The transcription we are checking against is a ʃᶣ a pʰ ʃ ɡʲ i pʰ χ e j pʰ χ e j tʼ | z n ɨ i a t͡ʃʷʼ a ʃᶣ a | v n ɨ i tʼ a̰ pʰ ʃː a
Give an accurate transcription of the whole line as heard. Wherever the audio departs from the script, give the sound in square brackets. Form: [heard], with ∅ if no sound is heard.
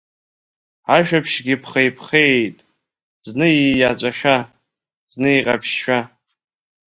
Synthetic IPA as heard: a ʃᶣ a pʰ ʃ ɡʲ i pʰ χ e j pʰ χ e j tʼ | z n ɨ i a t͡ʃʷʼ a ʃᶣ a | [z] n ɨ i [qʼ] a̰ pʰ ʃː a

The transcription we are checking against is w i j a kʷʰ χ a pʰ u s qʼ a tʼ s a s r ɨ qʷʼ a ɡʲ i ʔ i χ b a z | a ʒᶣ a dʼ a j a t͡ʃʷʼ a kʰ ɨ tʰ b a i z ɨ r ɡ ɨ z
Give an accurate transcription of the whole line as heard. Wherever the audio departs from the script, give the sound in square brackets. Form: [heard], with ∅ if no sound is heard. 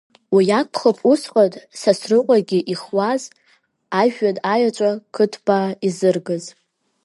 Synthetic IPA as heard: w i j a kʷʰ χ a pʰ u s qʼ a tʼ s a s r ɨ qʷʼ a ɡʲ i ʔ i χ [w] a z | a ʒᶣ a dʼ a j a t͡ʃʷʼ a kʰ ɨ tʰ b a i z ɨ r ɡ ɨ z

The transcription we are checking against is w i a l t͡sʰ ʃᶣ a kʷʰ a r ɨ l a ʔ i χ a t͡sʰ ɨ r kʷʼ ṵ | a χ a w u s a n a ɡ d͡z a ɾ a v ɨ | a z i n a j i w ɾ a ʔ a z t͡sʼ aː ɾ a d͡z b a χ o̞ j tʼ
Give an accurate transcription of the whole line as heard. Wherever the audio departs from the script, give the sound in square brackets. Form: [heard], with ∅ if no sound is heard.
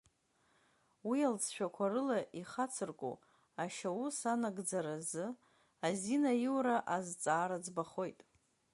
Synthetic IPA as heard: w i a l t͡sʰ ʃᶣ a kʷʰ a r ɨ l a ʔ i χ a t͡sʰ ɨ r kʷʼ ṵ | a [ʃ] a w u s a n a ɡ d͡z a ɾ a [z] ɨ | a z i n a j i w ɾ a ʔ a z t͡sʼ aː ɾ a d͡z b a χ o̞ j tʼ

